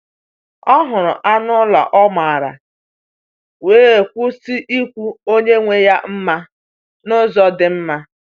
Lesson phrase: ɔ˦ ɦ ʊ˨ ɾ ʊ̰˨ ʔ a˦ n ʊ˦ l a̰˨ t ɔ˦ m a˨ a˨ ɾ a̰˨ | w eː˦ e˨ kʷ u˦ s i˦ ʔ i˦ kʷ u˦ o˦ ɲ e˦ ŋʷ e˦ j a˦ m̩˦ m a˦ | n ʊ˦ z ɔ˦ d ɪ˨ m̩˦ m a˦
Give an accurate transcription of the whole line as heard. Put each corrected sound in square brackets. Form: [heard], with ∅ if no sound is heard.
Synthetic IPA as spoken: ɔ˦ ɦ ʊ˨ ɾ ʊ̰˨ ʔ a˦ n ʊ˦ l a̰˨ [ʔ] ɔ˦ m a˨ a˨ ɾ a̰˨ | w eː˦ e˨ kʷ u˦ s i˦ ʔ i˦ kʷ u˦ o˦ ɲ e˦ ŋʷ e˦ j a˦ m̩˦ m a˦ | n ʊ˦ z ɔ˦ d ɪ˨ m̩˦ m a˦